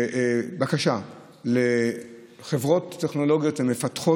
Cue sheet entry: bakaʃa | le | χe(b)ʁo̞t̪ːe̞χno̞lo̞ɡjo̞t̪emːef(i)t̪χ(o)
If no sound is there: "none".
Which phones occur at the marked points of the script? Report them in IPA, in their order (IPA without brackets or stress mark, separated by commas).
v, a, o